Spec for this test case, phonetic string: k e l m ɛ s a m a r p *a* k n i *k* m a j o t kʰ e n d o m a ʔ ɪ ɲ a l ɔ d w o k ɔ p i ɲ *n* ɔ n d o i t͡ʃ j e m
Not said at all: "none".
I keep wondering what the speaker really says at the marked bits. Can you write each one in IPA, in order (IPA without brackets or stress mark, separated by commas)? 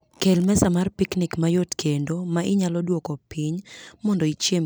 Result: i, k, m